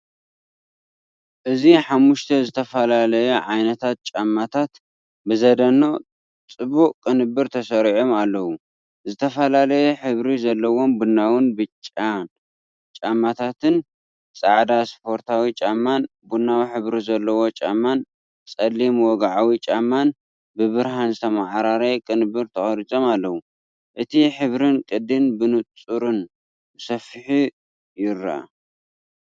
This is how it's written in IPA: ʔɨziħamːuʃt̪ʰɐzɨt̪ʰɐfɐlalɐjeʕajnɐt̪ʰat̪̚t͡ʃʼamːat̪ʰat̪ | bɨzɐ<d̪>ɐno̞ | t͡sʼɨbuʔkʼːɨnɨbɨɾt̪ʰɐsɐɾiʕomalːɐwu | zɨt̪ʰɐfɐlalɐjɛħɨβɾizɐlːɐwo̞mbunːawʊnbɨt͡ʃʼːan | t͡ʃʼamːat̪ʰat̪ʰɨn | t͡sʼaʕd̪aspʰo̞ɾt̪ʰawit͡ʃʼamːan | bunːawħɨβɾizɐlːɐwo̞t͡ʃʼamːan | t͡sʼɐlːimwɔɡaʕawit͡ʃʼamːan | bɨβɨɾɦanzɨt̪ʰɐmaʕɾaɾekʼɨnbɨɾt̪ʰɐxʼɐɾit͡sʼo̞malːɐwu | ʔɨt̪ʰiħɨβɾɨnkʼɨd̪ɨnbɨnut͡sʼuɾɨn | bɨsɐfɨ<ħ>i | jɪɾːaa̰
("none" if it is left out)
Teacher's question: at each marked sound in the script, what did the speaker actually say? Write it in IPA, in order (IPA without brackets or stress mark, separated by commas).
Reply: d̪, ħ